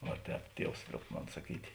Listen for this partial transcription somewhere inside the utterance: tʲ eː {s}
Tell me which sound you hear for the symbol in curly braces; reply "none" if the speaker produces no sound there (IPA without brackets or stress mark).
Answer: none